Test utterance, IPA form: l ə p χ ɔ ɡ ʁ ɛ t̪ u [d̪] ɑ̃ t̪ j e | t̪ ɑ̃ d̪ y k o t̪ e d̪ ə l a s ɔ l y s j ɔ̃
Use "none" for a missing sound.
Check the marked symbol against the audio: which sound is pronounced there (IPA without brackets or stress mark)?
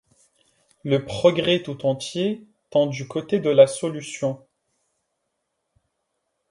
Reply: t̪